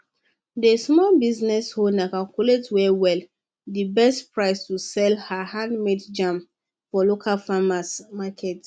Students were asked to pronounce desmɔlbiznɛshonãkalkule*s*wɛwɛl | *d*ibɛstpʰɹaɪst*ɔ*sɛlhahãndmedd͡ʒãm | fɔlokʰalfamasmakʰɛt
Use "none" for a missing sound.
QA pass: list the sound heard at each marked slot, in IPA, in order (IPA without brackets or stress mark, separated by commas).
t, d, u